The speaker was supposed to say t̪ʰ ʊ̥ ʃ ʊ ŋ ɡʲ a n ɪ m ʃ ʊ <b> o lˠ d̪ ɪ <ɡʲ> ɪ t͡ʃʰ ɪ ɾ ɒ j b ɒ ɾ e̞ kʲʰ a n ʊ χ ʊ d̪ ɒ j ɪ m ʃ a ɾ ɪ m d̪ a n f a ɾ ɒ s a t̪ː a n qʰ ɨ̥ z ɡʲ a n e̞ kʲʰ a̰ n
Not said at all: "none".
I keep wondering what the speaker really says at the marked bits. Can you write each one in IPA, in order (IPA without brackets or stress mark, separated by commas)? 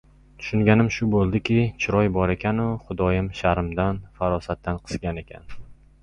b, kʲ